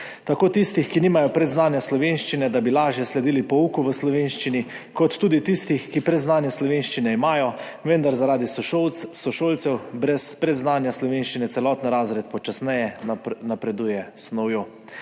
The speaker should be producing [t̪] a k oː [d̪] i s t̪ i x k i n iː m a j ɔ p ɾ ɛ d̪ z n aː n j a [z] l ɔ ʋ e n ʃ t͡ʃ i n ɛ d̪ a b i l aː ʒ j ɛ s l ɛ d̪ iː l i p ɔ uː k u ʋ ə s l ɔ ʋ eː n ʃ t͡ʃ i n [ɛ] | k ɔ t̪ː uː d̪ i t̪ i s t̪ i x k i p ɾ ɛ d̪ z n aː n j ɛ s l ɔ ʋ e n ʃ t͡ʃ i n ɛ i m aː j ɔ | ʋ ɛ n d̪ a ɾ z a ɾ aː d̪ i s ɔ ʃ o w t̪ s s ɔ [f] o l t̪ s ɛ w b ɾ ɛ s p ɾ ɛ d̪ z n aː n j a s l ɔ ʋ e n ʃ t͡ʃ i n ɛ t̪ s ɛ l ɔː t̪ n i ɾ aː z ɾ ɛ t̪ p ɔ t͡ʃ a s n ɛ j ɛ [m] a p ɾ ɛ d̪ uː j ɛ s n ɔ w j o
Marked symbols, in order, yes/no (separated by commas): yes, no, no, no, no, no